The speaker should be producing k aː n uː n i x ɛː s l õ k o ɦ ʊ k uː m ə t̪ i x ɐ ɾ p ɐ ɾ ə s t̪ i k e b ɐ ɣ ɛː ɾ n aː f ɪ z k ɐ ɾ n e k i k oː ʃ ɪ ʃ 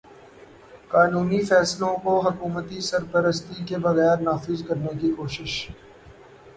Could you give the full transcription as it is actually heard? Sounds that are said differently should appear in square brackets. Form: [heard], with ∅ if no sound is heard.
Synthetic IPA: k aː n uː n i [f] ɛː s l õ k o ɦ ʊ k uː m ə t̪ i [s] ɐ ɾ p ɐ ɾ ə s t̪ i k e b ɐ ɣ ɛː ɾ n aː f ɪ z k ɐ ɾ n e k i k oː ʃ ɪ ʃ